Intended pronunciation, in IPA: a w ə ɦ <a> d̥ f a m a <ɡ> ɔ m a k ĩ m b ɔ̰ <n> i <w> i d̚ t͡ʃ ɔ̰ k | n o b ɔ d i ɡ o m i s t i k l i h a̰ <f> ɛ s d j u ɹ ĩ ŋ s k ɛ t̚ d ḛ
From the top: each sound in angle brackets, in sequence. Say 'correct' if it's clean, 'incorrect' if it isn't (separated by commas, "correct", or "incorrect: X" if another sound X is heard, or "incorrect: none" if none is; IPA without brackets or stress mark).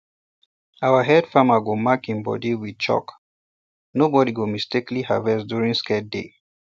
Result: incorrect: ɛ, correct, incorrect: d, correct, incorrect: v